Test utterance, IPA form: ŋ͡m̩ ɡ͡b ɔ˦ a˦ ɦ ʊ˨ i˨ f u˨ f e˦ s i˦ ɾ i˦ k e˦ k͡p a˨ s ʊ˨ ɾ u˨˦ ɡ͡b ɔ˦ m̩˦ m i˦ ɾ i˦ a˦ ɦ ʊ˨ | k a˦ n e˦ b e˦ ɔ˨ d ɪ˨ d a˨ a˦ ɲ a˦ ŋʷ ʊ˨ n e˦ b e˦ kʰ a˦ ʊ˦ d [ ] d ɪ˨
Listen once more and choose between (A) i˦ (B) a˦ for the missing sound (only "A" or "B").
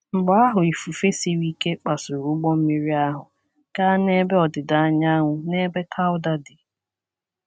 B